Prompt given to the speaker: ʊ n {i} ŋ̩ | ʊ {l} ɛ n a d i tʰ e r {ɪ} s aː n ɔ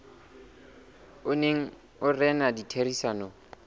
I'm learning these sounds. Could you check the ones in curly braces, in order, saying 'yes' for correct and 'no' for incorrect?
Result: no, no, no

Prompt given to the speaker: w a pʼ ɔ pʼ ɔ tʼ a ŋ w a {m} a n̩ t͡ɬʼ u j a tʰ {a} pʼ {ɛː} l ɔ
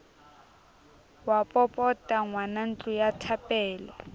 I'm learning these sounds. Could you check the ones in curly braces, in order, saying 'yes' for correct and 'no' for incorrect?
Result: no, yes, yes

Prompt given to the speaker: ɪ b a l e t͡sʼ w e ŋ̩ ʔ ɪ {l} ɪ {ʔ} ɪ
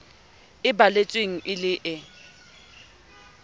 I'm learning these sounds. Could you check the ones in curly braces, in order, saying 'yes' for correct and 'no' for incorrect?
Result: yes, yes

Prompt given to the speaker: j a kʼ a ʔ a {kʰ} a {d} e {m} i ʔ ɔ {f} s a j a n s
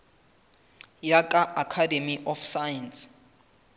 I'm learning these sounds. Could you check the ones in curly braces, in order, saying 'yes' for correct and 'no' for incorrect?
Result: yes, yes, yes, yes

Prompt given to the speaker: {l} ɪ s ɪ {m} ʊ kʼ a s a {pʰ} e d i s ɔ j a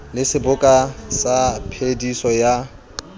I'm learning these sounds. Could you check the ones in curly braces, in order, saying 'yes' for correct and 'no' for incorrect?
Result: yes, no, yes

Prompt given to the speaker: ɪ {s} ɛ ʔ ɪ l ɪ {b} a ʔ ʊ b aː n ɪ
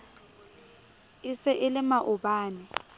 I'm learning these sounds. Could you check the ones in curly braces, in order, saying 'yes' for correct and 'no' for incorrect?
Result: yes, no

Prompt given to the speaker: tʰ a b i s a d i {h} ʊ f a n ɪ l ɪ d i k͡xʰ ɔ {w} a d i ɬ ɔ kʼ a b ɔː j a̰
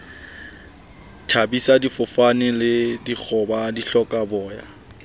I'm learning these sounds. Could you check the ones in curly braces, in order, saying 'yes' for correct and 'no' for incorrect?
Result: no, no

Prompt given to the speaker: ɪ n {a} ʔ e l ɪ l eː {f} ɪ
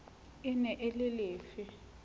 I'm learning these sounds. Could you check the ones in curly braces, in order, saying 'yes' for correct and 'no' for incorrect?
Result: no, yes

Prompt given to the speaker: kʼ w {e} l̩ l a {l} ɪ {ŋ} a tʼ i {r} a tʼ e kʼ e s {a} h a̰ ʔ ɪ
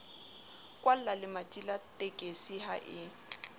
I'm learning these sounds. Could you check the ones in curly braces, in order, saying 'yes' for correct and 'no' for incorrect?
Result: no, yes, no, no, no

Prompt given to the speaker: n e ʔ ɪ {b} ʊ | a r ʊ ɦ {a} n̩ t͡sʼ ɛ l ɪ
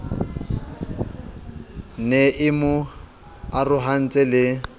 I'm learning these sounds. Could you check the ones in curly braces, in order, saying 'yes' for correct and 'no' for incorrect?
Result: no, yes

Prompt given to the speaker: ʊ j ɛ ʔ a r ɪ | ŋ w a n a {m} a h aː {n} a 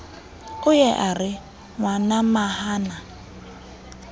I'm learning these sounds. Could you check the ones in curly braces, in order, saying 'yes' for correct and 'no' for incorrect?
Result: yes, yes

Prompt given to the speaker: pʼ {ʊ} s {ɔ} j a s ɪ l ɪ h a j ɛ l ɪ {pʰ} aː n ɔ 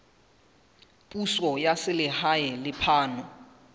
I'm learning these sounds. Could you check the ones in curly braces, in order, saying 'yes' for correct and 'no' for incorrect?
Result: no, yes, yes

